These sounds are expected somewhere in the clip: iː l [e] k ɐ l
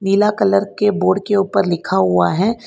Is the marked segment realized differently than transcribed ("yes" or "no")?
yes